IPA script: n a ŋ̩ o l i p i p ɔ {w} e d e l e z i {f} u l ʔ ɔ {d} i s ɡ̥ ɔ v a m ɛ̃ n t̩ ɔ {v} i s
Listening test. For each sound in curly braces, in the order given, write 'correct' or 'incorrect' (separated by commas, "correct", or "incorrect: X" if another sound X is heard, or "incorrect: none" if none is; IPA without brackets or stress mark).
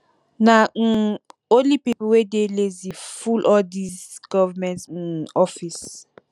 correct, correct, correct, incorrect: f